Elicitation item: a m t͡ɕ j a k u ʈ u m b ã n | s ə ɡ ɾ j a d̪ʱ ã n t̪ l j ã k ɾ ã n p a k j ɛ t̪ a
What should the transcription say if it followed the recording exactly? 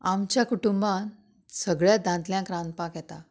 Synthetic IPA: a m t͡ɕ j a k u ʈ u m b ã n | s ə ɡ ɭ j a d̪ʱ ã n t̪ l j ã k ɾ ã n p a k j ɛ t̪ a